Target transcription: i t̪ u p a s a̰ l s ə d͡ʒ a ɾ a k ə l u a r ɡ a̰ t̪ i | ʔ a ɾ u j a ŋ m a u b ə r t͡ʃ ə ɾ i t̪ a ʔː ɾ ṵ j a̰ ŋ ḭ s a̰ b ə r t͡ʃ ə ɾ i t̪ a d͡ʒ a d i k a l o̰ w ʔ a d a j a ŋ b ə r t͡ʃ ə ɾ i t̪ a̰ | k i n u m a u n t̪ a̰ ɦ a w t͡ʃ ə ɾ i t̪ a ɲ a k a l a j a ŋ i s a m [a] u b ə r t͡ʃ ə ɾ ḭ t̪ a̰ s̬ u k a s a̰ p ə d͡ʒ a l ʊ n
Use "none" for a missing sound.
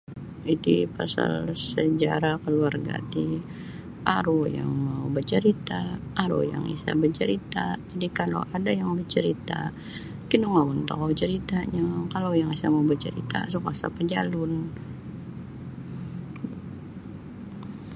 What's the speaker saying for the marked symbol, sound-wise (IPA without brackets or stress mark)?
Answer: a